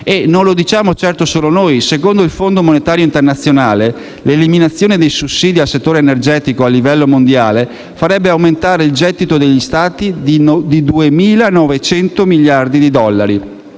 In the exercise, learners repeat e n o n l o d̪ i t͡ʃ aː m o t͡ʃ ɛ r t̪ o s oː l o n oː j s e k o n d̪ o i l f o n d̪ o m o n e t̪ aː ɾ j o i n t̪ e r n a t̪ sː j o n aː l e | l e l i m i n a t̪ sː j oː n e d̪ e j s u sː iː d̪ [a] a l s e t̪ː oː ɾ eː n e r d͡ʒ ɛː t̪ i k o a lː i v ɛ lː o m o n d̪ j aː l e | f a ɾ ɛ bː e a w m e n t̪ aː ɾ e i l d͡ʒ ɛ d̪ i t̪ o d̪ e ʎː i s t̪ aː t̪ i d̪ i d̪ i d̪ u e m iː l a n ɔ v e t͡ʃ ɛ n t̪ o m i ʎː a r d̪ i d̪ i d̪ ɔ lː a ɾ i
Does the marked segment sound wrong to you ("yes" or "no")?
yes